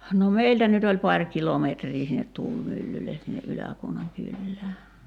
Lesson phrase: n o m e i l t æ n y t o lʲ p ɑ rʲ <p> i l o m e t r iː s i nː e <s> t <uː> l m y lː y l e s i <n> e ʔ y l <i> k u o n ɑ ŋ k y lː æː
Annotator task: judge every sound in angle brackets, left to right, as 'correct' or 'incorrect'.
incorrect: k, incorrect: t, correct, incorrect: nː, incorrect: æ

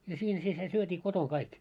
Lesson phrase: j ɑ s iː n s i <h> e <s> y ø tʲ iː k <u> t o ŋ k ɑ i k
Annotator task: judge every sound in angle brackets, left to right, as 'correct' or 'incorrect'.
incorrect: s, correct, incorrect: o

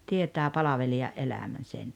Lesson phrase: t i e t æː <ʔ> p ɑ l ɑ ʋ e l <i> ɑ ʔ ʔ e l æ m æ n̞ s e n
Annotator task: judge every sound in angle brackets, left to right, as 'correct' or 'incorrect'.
incorrect: none, correct

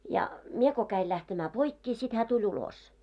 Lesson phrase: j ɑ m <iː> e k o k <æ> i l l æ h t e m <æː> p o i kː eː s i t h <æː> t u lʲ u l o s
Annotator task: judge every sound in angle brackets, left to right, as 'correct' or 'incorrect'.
incorrect: i, correct, correct, correct

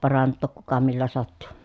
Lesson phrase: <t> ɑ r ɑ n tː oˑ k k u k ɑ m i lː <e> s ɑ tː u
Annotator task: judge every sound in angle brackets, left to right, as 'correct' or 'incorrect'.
incorrect: p, incorrect: æ

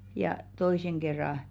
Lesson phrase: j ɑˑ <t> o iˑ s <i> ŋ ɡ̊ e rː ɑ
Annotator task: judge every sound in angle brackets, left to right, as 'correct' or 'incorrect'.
correct, incorrect: e

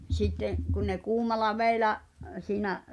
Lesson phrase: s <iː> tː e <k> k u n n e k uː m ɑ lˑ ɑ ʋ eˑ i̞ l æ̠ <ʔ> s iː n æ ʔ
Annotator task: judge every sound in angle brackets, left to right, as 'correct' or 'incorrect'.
incorrect: i, incorrect: ʔ, correct

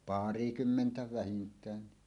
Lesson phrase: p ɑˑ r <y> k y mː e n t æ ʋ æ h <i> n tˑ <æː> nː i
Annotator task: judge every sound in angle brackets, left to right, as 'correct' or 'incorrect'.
incorrect: i, correct, correct

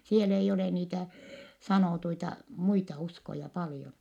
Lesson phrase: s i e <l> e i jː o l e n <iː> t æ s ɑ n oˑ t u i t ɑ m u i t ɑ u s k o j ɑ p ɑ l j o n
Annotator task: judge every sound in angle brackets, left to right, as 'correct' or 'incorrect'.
correct, correct

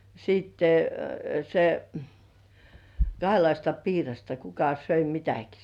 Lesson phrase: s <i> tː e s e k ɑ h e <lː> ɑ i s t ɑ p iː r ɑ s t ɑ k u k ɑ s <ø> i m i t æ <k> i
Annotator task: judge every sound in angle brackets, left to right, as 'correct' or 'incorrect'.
incorrect: iː, incorrect: l, correct, correct

